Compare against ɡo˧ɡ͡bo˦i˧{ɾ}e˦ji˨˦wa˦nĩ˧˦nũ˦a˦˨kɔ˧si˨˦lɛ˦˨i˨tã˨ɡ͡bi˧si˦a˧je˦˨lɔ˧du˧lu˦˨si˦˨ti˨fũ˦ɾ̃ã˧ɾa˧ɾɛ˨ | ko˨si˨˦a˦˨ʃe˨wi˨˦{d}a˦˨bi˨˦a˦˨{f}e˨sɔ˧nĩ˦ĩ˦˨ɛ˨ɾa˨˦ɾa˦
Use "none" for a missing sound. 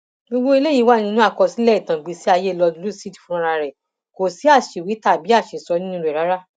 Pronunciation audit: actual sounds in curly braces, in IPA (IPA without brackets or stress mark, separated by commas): l, t, ʃ